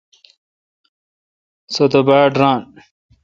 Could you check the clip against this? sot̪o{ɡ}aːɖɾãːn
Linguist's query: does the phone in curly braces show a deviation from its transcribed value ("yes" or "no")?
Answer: yes